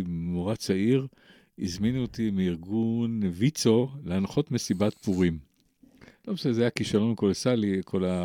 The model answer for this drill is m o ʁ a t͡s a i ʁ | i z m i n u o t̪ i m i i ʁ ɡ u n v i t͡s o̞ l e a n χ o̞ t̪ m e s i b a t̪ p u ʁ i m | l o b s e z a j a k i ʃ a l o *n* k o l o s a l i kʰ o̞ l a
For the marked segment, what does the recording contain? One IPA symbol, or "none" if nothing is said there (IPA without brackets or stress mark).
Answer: n